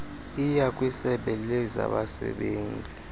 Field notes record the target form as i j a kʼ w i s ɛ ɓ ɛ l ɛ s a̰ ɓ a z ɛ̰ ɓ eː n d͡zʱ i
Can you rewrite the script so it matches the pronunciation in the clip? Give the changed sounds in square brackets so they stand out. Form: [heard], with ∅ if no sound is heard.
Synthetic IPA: i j a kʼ w i s ɛ ɓ ɛ l ɛ [z] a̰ ɓ a [s] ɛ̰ ɓ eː n d͡zʱ i